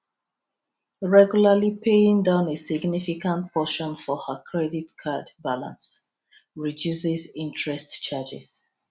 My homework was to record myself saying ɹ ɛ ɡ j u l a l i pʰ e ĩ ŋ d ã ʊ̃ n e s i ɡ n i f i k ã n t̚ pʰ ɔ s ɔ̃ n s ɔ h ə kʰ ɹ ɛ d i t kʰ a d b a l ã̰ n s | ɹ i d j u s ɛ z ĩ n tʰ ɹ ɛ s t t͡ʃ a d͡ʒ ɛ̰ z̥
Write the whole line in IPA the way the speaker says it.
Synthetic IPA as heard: ɹ ɛ ɡ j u l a l i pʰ e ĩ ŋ d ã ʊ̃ n e s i ɡ n i f i k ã n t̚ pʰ ɔ ʃ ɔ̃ n f ɔ h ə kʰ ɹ ɛ d i t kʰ a d b a l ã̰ n s | ɹ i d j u s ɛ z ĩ n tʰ ɹ ɛ s t t͡ʃ a d͡ʒ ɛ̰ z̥